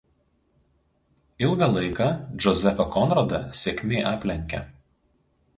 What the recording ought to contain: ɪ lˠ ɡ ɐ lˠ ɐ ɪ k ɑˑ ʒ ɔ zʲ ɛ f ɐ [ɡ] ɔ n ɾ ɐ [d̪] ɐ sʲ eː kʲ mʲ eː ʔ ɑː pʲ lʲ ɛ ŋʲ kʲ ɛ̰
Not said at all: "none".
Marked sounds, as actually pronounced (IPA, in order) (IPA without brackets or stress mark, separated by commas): k, d̪